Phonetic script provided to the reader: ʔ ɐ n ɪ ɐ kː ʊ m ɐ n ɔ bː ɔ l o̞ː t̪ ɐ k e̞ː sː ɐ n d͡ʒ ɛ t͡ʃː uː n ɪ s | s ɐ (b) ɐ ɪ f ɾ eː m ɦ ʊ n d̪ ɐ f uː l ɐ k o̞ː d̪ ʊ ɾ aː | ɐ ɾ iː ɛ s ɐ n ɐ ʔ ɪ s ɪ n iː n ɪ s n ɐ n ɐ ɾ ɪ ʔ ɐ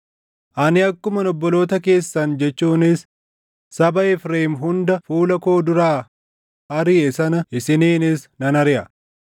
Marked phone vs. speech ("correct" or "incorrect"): correct